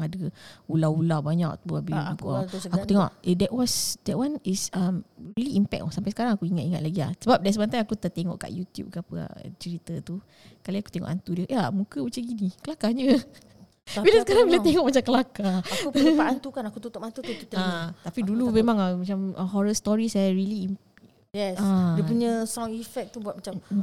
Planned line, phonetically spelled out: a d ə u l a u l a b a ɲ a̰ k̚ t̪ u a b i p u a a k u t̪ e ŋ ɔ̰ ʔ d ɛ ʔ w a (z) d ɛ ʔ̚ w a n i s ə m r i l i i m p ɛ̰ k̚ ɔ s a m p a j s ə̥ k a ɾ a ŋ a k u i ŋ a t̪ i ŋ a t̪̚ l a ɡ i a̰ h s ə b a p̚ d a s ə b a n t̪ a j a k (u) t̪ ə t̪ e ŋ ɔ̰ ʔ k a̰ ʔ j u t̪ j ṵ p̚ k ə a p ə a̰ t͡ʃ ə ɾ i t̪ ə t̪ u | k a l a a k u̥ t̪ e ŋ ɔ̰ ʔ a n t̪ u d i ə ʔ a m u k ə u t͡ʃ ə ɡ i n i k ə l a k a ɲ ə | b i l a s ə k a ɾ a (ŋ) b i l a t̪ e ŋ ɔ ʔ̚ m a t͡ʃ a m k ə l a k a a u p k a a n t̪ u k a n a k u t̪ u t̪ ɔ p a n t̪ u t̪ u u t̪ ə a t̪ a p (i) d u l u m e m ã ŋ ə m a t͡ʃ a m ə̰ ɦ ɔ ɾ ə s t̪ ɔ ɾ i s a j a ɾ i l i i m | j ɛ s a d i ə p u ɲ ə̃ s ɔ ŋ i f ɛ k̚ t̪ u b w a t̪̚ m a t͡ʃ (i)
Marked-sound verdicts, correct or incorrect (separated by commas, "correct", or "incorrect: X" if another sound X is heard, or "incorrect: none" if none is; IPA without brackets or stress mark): incorrect: s, correct, correct, correct, incorrect: a